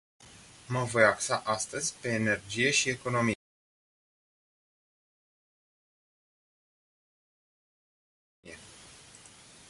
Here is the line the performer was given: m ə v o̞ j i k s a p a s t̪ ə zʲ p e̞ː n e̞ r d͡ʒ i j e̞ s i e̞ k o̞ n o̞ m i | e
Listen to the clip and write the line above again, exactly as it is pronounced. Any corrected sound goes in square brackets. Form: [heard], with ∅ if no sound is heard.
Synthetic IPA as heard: m ə v o̞ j [a] k s a [ʔ] a s t̪ ə zʲ p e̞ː n e̞ r d͡ʒ i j e̞ [ʃ] i e̞ k o̞ n o̞ m i | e

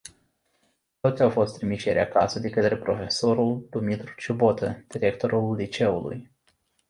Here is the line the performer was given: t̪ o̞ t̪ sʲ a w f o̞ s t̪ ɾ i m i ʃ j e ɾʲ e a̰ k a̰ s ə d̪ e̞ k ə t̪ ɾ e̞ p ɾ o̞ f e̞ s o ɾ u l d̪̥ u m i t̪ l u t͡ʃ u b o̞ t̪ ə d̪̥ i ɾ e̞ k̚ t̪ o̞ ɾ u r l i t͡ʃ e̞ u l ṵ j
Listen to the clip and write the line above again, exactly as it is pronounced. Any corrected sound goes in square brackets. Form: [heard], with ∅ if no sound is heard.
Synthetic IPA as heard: t̪ o̞ t̪ sʲ a w f o̞ s t̪ ɾ i m i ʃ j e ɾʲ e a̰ k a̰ s ə d̪ e̞ k ə t̪ ɾ e̞ p ɾ o̞ f e̞ s o ɾ u l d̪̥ u m i t̪ [ɾ] u t͡ʃ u b o̞ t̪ ə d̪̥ i ɾ e̞ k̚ t̪ o̞ ɾ u [l] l i t͡ʃ e̞ u l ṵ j

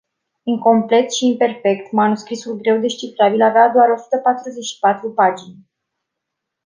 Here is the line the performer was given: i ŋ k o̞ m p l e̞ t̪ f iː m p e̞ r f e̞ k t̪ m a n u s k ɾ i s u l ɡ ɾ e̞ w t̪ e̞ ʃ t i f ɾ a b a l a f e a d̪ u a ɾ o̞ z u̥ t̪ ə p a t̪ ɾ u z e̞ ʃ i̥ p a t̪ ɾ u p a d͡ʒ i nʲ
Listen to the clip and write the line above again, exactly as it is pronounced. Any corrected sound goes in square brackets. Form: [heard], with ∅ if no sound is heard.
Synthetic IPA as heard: i ŋ k o̞ m p l e̞ t̪ [ʃ] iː m p e̞ r f e̞ k t̪ m a n u s k ɾ i s u l ɡ ɾ e̞ w [d̪] e̞ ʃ [t͡ʃ] i f ɾ a b [i] l a [v] e a d̪ [o] a ɾ o̞ [s] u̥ t̪ ə p a t̪ ɾ u z e̞ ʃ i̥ p a t̪ ɾ u p a d͡ʒ i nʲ

